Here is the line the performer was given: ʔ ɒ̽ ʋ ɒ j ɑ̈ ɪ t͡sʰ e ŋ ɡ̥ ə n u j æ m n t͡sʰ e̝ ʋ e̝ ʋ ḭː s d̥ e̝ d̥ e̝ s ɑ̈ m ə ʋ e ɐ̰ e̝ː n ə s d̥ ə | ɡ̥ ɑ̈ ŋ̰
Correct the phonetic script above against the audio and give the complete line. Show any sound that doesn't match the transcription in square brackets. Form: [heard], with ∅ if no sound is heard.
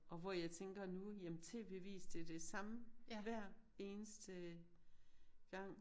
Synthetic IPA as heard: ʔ ɒ̽ ʋ ɒ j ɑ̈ ɪ t͡sʰ e ŋ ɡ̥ [ɐ] n u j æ m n t͡sʰ e̝ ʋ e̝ ʋ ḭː s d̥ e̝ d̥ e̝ s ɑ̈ m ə ʋ [æ] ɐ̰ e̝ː n ə s d̥ ə | ɡ̥ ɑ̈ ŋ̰